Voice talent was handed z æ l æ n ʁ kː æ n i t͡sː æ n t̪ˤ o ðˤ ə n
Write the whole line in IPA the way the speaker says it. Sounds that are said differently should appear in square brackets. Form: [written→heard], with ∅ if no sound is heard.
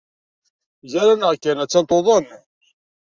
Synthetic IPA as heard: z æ [l→ɾ] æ n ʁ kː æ n [i→æ] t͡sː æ n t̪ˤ o ðˤ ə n